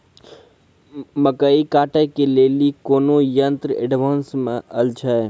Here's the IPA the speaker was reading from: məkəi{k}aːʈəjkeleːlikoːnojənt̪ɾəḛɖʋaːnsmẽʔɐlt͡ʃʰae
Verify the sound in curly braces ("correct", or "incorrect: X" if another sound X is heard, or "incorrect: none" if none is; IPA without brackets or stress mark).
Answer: correct